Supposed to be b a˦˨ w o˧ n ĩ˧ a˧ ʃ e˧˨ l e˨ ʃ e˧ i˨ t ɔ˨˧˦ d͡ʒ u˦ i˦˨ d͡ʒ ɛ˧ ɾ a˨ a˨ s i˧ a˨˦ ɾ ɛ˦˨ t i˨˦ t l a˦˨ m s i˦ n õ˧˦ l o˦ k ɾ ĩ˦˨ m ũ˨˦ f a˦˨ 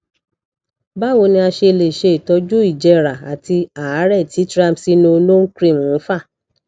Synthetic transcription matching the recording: b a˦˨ w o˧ n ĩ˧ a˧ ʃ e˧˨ l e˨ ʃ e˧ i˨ t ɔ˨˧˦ d͡ʒ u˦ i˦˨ d͡ʒ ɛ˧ ɾ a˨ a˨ t i˧ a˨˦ ɾ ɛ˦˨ t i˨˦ t ɾ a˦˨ m s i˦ n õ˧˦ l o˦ k ɾ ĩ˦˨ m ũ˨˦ f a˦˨